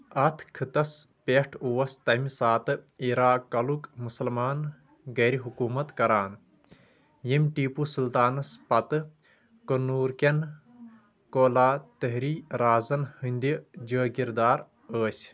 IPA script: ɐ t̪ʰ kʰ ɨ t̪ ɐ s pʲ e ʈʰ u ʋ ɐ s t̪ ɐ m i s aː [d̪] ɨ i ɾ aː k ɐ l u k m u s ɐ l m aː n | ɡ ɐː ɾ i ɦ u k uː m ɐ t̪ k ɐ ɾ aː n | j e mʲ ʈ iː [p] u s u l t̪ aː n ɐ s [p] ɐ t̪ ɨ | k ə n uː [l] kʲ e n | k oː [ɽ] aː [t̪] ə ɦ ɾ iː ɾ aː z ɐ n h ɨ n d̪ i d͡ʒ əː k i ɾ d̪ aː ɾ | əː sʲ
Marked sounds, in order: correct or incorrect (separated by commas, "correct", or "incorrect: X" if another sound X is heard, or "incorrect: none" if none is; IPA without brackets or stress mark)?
incorrect: t̪, correct, correct, incorrect: ɾ, incorrect: l, correct